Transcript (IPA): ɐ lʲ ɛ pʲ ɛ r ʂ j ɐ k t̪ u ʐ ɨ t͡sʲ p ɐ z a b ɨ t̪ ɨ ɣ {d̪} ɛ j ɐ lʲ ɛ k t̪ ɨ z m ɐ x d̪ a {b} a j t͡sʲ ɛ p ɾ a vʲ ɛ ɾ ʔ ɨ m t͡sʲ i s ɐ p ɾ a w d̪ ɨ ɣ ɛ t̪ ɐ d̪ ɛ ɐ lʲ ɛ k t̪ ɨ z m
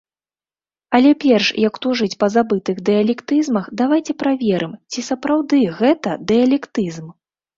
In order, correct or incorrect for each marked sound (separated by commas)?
correct, incorrect